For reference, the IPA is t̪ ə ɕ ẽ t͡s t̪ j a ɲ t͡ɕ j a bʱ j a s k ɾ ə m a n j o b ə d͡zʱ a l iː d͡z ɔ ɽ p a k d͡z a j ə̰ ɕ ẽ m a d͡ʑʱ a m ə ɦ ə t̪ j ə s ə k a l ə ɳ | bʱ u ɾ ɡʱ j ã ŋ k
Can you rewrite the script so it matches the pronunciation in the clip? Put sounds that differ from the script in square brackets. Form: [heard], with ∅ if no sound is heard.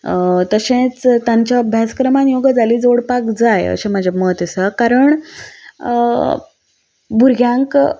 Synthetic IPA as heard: t̪ ə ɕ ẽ t͡s t̪ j a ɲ t͡ɕ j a bʱ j a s k ɾ ə m a n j o [ɡ] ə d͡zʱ a l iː d͡z [o] ɽ p a k d͡z a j ə̰ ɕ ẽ m a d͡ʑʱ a m ə ɦ ə t̪ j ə s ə k a [ɾ] ə ɳ | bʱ u ɾ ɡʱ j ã ŋ k